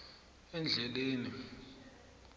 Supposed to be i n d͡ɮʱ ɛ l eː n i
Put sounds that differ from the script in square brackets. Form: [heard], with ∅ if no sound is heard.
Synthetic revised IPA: [ɛ] n d͡ɮʱ ɛ l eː n i